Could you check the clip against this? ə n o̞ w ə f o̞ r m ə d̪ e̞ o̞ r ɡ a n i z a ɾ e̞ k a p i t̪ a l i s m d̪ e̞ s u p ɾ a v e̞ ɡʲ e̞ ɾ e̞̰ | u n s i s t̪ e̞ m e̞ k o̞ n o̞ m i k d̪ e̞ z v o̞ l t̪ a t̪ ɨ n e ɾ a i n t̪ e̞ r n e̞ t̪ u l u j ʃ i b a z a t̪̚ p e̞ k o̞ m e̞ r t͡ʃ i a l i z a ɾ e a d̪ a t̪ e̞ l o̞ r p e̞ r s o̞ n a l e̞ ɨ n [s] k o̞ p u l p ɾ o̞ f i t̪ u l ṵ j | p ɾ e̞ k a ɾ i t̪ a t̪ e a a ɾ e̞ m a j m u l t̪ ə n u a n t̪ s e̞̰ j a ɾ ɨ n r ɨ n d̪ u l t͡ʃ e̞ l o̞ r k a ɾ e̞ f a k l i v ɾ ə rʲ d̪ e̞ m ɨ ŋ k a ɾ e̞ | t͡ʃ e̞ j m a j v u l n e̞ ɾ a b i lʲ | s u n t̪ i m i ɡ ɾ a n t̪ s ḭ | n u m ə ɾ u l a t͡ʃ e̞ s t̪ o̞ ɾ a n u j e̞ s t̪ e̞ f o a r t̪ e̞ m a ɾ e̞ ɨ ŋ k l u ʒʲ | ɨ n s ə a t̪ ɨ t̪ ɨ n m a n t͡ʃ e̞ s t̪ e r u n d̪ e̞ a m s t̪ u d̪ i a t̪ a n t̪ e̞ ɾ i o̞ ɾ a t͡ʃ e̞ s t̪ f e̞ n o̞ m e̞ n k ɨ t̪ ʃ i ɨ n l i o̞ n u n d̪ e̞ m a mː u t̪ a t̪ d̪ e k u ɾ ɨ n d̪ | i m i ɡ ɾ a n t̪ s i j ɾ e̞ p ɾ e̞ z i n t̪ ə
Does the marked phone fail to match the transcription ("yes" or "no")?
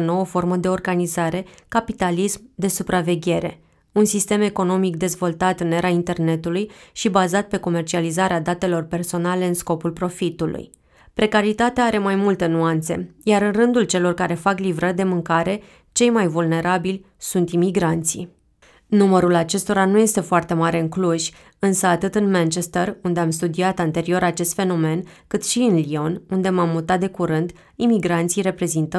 no